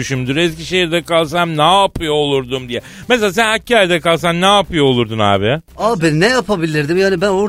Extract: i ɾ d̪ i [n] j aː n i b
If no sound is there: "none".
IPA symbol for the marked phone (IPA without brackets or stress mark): m